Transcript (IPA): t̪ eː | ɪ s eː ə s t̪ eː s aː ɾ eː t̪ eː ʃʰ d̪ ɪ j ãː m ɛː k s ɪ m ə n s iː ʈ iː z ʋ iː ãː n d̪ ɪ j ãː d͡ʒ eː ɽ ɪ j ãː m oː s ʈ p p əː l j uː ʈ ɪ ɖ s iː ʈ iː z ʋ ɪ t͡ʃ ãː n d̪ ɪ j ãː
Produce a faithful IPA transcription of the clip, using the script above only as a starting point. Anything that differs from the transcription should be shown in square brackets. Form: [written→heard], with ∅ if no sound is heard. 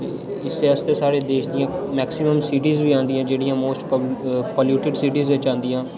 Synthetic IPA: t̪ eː | ɪ s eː ə s t̪ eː s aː ɾ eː [t̪→d̪] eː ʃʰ d̪ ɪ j ãː m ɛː k s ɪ m ə [n→m] s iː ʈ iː z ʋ iː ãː n d̪ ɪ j ãː d͡ʒ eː ɽ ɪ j ãː m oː s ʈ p p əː l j uː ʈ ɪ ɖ s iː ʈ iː z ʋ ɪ t͡ʃ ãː n d̪ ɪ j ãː